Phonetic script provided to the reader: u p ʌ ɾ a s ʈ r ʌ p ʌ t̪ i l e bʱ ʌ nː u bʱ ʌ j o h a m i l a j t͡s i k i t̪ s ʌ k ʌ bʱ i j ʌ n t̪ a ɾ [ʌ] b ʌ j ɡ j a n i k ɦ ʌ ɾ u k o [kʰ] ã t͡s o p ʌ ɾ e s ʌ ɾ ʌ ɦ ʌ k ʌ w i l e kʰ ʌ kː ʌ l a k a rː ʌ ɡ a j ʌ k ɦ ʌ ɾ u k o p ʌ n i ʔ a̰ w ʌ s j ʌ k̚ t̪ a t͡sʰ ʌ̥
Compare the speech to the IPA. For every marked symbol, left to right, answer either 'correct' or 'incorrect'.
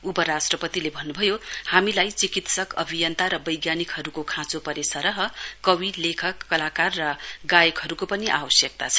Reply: correct, correct

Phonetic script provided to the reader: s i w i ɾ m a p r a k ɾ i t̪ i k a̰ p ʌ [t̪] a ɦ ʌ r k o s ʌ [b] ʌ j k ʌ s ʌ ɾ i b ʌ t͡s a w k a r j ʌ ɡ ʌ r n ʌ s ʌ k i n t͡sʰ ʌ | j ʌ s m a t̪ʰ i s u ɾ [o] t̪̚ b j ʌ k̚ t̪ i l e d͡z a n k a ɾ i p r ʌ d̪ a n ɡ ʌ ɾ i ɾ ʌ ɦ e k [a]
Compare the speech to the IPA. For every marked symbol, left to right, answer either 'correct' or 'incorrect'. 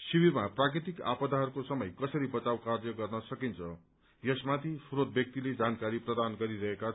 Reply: incorrect, incorrect, correct, correct

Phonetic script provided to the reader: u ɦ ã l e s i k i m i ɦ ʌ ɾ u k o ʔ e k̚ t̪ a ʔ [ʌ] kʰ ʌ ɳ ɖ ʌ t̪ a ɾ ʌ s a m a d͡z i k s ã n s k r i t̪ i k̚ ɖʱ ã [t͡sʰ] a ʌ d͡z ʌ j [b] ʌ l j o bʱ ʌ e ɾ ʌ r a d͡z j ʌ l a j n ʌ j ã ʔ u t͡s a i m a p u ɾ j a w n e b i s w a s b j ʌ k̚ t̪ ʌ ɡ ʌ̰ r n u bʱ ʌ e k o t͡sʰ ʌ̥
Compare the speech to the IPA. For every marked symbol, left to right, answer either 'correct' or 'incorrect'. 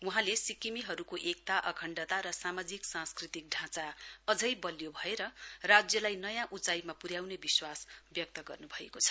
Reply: correct, incorrect, correct

